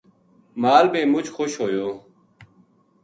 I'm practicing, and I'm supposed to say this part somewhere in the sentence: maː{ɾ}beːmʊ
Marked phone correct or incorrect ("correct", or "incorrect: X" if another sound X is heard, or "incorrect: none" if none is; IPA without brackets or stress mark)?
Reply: incorrect: l